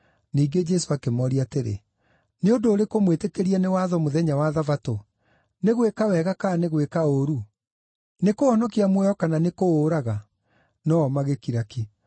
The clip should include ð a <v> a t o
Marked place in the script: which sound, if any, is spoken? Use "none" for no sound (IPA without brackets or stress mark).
v